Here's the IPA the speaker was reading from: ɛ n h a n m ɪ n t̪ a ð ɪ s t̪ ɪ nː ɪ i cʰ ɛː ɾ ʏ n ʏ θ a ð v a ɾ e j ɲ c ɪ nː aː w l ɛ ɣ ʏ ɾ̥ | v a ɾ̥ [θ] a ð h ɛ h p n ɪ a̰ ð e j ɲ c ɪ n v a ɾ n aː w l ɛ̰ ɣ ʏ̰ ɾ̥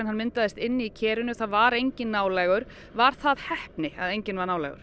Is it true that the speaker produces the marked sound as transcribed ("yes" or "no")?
yes